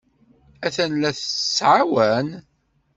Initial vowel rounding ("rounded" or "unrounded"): unrounded